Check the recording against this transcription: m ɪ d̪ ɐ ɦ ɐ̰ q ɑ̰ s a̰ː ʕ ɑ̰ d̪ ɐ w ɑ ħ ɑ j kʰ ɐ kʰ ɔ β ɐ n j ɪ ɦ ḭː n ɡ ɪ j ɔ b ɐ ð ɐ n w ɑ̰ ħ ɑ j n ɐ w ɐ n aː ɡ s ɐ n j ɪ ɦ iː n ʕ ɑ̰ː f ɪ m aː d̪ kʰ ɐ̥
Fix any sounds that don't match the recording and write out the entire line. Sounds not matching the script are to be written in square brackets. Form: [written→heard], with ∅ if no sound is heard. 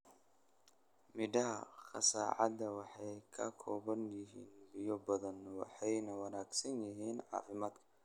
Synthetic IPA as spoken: m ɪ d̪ ɐ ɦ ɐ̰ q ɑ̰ s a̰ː ʕ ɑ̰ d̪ ɐ w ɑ ħ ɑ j kʰ ɐ kʰ [ɔ→ɔː] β ɐ n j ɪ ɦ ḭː n [ɡ→b] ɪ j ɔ b ɐ ð ɐ n w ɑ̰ ħ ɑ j n ɐ w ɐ n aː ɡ s ɐ n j ɪ ɦ iː n ʕ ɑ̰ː f ɪ m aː d̪ kʰ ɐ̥